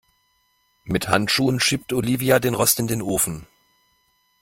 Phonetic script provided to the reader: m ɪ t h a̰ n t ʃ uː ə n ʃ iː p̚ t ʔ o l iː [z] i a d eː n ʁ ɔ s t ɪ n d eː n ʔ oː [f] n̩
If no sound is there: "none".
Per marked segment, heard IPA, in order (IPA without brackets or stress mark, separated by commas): v, f